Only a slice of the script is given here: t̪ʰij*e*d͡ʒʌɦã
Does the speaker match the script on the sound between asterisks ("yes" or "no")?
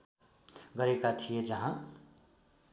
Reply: yes